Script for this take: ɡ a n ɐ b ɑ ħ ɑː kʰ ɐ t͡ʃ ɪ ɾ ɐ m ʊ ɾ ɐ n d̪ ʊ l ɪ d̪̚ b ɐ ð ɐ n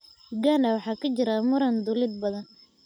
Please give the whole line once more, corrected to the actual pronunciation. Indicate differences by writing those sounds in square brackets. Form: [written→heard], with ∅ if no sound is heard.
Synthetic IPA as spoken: ɡ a n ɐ [b→w] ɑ ħ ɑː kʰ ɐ t͡ʃ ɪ ɾ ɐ m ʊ ɾ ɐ n d̪ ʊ l ɪ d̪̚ b ɐ ð ɐ n